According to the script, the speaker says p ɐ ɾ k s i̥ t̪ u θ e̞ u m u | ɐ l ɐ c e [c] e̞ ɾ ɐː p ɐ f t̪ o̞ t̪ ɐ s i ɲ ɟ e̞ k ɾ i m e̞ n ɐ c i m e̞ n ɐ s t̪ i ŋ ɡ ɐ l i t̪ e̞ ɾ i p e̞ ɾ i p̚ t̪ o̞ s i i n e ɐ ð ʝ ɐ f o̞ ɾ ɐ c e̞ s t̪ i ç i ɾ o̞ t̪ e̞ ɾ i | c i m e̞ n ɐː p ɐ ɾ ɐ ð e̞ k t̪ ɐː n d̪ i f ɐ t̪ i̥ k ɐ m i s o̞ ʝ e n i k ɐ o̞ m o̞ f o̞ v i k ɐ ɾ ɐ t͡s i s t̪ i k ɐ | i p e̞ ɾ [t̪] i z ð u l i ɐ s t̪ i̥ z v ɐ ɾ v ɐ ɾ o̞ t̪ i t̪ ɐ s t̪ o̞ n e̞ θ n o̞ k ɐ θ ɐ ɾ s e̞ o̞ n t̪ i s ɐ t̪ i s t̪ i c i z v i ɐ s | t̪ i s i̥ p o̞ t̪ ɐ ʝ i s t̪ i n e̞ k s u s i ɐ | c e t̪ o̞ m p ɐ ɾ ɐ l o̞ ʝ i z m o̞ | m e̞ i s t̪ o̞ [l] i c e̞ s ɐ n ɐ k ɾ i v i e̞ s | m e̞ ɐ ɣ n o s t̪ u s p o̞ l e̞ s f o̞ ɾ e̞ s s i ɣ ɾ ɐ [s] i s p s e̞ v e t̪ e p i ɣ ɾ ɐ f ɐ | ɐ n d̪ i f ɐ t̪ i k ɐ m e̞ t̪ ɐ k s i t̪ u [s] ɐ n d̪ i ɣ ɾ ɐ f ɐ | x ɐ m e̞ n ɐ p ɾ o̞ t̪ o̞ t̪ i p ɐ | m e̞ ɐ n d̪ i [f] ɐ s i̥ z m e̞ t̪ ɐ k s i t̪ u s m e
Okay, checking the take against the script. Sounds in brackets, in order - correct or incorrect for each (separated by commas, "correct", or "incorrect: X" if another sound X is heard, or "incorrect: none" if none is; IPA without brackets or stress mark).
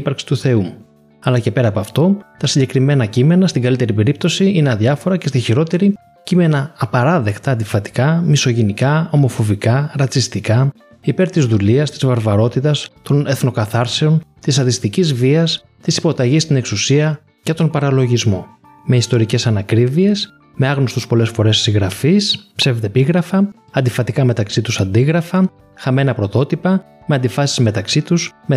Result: incorrect: p, correct, incorrect: ɾ, incorrect: f, correct, correct